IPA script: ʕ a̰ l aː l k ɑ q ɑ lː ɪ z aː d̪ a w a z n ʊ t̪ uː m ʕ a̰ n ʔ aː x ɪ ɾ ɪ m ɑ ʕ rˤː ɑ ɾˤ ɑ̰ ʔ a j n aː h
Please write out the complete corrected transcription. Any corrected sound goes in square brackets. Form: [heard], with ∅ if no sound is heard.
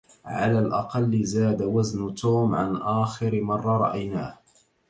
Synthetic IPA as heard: ʕ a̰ l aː l [ʔ] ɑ q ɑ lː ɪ z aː d̪ a w a z n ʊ t̪ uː m ʕ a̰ n ʔ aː x ɪ ɾ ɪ m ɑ [∅] rˤː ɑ ɾˤ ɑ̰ ʔ a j n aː h